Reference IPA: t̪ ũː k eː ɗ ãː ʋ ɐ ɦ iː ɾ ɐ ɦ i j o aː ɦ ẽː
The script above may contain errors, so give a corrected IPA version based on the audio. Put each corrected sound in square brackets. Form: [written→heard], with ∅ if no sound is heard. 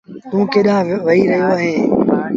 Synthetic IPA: t̪ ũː k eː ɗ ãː ʋ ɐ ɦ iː ɾ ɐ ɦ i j o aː ɦ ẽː